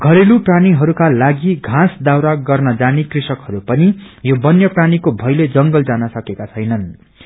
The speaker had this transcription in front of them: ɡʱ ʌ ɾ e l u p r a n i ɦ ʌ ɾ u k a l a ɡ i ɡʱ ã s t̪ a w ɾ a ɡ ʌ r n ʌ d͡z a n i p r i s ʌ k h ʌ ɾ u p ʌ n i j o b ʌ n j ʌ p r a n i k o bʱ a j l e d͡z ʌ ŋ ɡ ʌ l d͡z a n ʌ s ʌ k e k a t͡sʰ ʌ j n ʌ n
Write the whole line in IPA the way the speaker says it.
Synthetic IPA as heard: ɡʱ ʌ ɾ e l u p r a n i ɦ ʌ ɾ u k a l a ɡ i ɡʱ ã s d̪ a w ɾ a ɡ ʌ r n ʌ d͡z a n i k r i s ʌ k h ʌ ɾ u p ʌ n i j o b ʌ n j ʌ p r a n i k o bʱ ʌ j l e d͡z ʌ ŋ ɡ ʌ l d͡z a n ʌ s ʌ k e k a t͡sʰ ʌ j n ʌ n